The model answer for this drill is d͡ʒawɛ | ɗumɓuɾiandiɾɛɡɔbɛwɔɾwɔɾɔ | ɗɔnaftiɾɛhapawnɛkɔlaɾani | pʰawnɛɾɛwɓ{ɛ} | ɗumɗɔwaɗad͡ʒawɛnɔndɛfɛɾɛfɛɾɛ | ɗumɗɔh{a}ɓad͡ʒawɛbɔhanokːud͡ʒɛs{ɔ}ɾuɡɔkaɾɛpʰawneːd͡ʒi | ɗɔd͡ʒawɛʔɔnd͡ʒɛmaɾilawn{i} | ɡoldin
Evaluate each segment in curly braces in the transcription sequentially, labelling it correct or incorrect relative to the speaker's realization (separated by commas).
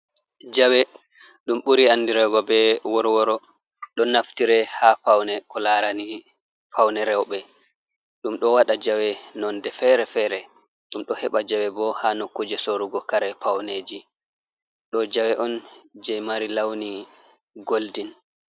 correct, incorrect, incorrect, correct